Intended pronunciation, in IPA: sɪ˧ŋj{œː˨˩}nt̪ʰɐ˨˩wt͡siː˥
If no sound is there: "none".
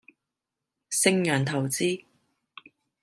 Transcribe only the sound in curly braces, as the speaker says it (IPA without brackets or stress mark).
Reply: œː˨˩